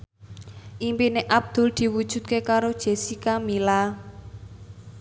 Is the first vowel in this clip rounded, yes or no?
no